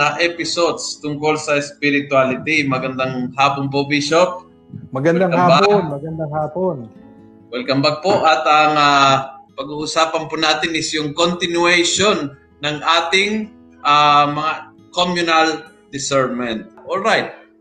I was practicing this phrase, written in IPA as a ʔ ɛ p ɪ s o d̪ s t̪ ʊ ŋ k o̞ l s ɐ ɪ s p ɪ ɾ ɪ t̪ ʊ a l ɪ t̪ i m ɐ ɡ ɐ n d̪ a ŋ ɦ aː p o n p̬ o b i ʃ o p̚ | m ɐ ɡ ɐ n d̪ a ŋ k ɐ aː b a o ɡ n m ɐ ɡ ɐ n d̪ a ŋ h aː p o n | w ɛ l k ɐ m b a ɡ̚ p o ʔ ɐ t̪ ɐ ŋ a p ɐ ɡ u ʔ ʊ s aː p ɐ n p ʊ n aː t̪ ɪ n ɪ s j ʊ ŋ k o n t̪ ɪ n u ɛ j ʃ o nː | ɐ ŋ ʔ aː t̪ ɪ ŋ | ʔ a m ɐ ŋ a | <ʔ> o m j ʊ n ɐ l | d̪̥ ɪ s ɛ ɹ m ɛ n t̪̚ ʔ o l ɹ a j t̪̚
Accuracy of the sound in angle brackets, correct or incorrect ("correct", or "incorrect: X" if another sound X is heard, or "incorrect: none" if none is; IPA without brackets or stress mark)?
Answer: incorrect: k